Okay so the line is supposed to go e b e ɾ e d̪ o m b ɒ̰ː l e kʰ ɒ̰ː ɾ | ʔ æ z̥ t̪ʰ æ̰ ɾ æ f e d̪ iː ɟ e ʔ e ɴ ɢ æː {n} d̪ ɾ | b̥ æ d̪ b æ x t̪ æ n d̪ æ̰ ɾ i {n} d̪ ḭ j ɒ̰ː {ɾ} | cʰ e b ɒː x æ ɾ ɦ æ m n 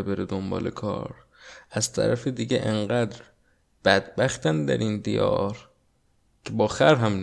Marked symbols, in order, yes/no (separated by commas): no, yes, yes